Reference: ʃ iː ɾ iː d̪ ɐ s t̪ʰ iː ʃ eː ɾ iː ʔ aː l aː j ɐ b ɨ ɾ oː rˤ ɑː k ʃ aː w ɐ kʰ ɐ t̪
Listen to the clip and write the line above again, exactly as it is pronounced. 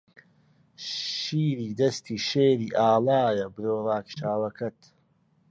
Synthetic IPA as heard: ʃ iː ɾ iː d̪ ɐ s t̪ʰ iː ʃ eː ɾ iː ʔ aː l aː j ɐ b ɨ ɾ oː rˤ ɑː k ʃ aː w ɐ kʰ ɐ t̪